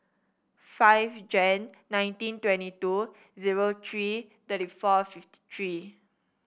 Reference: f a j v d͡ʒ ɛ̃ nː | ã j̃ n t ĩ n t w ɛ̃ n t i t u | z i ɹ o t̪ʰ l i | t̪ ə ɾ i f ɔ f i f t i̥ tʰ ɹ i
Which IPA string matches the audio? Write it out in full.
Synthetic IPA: f a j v d͡ʒ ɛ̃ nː | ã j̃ n t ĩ n t w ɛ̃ n t i t u | z i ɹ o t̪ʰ ɹ i | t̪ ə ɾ i f ɔ f i f t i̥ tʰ ɹ i